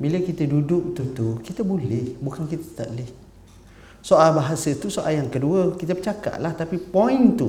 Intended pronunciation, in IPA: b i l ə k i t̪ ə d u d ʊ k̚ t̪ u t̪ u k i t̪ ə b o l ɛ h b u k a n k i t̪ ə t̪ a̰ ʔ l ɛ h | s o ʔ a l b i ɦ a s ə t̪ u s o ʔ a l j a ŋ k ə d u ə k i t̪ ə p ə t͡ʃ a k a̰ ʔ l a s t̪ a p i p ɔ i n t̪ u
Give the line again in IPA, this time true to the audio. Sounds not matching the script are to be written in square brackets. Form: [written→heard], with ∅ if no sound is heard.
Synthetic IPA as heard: b i l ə k i t̪ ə d u d ʊ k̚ t̪ u t̪ u k i t̪ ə b o l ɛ h b u k a n k i t̪ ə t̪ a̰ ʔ l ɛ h | s o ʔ a l b [i→a] ɦ a s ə t̪ u s o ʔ a l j a ŋ k ə d u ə k i t̪ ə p ə t͡ʃ a k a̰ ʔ l a [s→h] t̪ a p i p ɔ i n t̪ u